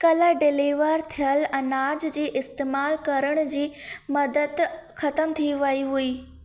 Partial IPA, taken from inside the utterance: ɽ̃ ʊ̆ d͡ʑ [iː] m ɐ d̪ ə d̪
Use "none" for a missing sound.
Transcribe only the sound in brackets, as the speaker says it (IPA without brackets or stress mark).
iː